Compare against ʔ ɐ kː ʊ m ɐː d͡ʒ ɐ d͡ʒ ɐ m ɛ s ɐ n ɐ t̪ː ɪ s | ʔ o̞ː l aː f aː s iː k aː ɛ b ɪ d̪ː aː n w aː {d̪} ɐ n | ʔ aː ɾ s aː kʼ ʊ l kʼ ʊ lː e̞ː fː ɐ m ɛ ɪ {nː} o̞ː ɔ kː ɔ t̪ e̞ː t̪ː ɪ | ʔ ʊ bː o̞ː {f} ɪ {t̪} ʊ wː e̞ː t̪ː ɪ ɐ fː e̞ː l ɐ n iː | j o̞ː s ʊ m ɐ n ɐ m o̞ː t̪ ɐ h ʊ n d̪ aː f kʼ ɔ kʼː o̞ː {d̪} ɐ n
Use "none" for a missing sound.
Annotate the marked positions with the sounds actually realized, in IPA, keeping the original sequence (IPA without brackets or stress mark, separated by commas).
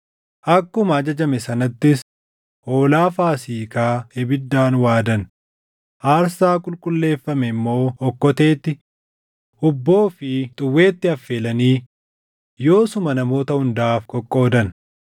d̪, mː, f, t̪ʼ, d̪